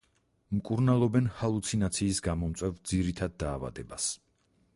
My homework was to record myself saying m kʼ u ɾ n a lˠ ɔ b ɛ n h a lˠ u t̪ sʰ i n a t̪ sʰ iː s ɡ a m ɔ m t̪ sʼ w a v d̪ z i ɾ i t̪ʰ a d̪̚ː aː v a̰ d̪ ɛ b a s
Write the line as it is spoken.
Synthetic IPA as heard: m kʼ u ɾ n a lˠ ɔ b ɛ n h a lˠ u t̪ sʰ i n a t̪ sʰ iː s ɡ a m ɔ m t̪ sʼ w ɛ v d̪ z i ɾ i t̪ʰ a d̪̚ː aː v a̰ d̪ ɛ b a s